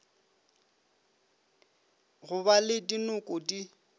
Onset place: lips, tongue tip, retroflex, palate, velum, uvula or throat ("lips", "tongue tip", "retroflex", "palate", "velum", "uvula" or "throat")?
velum